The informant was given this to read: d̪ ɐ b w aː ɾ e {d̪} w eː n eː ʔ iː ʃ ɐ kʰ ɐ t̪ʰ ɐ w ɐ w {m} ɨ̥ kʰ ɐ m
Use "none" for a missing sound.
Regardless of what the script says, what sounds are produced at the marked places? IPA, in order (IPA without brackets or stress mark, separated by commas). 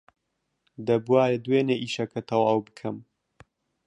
d̪, b